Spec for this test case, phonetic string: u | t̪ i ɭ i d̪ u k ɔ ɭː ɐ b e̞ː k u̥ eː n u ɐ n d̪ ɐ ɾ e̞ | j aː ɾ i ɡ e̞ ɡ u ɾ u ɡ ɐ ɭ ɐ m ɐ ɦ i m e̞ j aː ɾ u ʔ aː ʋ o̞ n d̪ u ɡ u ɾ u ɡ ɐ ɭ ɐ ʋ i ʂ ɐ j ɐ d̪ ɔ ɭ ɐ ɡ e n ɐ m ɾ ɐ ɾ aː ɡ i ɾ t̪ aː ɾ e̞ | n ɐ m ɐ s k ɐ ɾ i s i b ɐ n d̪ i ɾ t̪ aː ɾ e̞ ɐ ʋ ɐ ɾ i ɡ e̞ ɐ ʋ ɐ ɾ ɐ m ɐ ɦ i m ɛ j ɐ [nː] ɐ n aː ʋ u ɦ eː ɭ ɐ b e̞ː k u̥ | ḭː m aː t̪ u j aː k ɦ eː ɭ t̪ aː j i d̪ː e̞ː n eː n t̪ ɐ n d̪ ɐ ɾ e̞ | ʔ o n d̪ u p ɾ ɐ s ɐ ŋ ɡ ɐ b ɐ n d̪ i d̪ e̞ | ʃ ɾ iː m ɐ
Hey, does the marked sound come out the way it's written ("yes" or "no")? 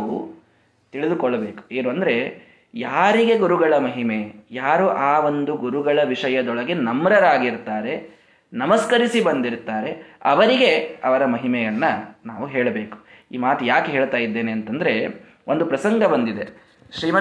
yes